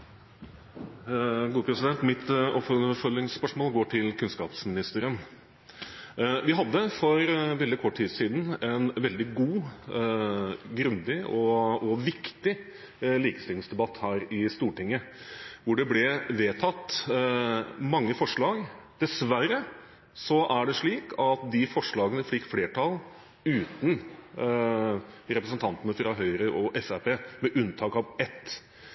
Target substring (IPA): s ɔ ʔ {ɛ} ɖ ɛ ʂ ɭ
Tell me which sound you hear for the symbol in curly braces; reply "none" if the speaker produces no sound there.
æ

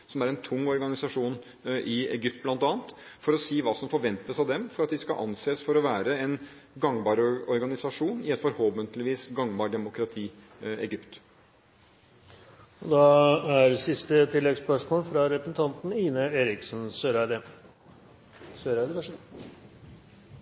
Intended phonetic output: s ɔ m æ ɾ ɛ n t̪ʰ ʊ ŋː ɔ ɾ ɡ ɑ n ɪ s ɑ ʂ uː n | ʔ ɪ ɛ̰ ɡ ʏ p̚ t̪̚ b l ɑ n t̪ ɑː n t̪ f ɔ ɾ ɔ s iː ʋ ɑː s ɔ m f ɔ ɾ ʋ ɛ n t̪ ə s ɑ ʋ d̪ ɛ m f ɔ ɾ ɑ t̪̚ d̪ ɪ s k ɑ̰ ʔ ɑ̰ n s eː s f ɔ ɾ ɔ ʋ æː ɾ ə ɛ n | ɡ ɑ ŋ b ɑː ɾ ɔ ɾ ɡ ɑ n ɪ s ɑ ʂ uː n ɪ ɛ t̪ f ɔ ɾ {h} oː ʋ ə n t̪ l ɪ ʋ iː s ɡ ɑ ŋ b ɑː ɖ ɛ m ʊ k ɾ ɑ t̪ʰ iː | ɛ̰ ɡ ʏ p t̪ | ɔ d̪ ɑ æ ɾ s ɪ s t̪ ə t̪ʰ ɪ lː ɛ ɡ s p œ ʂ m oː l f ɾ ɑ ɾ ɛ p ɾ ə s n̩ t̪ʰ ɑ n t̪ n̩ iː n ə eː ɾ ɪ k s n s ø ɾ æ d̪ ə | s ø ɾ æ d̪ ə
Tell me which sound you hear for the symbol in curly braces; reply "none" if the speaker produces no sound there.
h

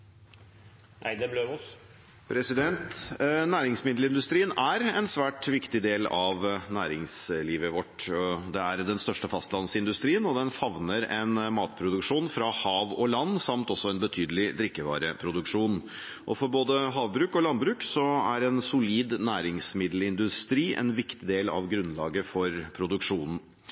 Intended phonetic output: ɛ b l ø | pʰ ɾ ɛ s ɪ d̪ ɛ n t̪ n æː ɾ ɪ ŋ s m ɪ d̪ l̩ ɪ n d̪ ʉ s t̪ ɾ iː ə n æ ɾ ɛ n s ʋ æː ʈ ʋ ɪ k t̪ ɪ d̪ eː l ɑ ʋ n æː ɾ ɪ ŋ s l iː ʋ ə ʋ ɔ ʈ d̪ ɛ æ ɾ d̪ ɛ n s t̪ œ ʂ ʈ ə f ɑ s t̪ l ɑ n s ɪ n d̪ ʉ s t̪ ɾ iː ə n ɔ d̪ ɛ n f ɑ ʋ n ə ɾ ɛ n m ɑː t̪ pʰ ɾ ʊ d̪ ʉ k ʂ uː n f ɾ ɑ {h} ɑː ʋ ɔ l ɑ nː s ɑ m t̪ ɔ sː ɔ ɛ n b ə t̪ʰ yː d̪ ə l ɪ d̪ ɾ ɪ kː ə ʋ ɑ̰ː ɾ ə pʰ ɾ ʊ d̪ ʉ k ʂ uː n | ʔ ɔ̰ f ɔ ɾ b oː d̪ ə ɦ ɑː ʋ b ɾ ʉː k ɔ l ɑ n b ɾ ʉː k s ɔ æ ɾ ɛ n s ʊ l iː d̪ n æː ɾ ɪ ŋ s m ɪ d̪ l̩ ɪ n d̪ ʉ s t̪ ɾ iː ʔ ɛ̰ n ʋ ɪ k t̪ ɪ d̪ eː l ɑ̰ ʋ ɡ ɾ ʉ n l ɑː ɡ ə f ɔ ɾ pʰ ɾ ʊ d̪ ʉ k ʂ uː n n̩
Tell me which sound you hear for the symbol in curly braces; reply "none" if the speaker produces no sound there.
h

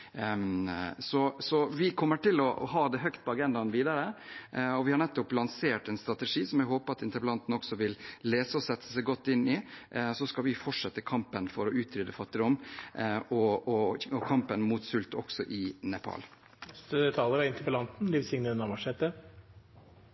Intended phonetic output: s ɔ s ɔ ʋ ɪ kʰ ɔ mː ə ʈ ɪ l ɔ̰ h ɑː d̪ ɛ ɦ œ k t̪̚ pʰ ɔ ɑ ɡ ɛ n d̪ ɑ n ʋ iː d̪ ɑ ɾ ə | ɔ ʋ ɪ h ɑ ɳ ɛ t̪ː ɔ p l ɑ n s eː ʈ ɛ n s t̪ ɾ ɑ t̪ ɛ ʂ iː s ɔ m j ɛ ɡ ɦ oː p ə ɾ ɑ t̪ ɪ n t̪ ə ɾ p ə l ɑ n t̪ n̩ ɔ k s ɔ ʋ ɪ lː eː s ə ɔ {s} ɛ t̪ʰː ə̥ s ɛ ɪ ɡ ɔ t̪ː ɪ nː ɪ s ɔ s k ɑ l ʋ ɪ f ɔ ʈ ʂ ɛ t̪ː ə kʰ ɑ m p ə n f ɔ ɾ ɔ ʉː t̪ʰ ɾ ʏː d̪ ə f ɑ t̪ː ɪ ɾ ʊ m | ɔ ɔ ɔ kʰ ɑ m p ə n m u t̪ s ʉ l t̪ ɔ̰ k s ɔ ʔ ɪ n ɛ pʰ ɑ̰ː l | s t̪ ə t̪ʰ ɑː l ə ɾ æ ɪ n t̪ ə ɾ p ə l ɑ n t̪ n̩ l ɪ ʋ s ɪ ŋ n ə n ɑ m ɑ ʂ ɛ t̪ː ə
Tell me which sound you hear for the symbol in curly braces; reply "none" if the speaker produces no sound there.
s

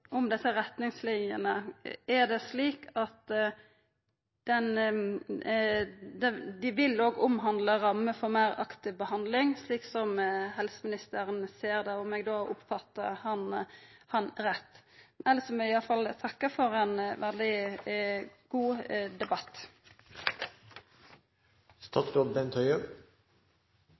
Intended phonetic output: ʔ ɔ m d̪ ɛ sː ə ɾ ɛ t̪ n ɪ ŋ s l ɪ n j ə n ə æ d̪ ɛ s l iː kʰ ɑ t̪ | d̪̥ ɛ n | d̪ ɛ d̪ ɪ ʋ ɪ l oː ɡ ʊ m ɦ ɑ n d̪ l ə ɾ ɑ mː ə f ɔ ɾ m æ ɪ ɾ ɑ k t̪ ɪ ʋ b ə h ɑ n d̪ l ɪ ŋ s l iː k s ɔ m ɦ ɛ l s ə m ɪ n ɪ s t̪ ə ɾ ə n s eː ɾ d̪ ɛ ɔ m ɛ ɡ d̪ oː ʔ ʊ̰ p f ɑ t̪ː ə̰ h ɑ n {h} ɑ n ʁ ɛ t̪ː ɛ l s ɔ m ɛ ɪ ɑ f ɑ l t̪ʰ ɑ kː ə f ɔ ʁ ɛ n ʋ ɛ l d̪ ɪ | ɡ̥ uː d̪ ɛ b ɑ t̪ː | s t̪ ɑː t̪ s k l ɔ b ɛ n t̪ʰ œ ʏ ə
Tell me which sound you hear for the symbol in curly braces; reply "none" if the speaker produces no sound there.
h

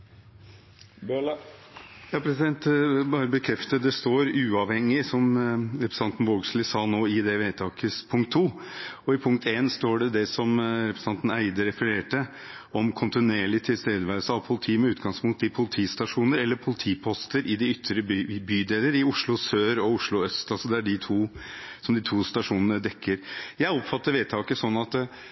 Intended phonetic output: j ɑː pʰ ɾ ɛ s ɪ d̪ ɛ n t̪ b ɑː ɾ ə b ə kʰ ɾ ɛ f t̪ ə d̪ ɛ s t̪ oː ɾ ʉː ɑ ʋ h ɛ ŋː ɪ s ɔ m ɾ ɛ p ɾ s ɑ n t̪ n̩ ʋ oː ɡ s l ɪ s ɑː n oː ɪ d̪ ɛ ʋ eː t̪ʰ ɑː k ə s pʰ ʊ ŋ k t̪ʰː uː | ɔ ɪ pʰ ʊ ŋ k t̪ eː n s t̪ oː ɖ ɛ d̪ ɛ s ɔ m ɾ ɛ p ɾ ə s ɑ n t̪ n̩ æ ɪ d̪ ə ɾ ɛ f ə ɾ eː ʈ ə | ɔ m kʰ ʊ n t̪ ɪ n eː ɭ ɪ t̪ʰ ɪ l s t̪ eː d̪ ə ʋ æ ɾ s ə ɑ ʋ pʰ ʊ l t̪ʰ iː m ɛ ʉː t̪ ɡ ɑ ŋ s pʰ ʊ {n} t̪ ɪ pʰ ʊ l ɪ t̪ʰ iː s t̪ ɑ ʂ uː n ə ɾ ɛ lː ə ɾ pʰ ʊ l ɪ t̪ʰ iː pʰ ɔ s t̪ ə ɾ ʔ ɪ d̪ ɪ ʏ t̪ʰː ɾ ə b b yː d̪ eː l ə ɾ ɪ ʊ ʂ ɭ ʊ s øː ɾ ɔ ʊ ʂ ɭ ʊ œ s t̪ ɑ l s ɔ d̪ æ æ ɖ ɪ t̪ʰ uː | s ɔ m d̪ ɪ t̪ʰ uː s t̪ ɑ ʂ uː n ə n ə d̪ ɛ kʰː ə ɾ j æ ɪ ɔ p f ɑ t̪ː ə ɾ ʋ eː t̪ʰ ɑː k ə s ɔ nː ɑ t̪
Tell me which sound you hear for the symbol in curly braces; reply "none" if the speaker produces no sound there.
ŋ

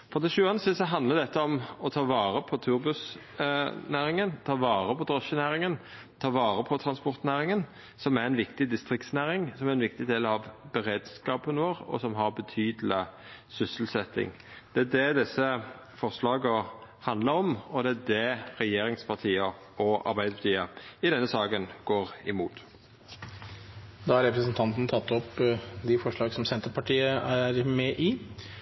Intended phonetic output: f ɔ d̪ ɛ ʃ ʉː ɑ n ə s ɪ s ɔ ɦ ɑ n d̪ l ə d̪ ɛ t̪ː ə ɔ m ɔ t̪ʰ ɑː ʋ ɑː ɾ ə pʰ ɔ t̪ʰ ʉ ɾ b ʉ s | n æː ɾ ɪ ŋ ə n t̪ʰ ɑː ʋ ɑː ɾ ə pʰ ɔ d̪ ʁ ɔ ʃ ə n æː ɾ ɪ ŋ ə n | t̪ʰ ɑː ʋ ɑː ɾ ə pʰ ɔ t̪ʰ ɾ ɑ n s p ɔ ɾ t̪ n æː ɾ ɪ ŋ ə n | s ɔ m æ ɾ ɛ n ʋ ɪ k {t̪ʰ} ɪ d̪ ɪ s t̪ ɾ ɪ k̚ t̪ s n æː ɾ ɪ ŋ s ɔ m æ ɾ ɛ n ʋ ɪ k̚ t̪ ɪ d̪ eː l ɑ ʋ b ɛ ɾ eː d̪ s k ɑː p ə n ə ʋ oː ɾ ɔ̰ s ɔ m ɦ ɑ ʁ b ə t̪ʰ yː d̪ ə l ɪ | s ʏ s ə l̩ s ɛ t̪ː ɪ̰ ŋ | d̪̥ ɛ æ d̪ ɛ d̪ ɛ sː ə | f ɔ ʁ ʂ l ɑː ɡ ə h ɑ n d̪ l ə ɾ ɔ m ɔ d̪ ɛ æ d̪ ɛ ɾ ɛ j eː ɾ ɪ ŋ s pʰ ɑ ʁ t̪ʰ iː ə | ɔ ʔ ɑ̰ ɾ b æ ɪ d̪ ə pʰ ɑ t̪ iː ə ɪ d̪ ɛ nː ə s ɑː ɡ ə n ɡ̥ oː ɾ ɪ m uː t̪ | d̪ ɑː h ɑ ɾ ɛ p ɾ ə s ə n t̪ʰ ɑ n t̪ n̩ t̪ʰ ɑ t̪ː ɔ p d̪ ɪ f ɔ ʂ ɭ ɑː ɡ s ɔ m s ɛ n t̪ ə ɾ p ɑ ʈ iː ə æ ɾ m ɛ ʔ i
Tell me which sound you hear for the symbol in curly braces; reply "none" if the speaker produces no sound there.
t̪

